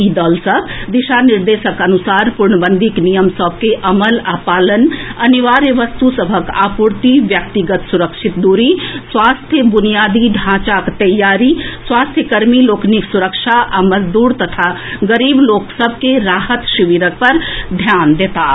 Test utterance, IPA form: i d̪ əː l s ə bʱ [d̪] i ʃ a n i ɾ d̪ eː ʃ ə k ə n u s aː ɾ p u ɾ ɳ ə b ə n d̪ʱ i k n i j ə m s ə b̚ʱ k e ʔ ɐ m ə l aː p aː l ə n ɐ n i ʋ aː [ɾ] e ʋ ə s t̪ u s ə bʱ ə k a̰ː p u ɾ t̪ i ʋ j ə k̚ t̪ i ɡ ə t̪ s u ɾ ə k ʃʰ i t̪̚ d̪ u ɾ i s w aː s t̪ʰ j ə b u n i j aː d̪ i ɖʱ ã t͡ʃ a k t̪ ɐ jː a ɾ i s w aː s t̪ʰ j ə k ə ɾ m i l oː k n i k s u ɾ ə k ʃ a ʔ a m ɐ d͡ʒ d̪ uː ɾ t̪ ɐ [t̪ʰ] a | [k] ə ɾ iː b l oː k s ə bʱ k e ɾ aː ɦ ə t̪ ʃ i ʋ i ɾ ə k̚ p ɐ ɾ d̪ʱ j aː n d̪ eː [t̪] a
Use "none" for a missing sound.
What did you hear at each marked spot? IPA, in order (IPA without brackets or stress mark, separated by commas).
d̪, ɾ, t̪ʰ, ɡ, t̪